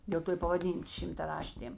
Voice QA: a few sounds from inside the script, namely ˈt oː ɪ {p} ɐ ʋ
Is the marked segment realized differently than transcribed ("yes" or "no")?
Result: no